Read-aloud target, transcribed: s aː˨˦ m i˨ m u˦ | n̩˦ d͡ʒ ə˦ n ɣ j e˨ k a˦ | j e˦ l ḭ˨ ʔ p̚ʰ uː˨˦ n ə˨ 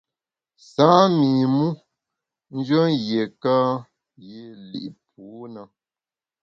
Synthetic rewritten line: s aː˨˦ m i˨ m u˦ | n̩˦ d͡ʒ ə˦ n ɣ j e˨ k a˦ | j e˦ l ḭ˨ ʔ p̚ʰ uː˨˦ n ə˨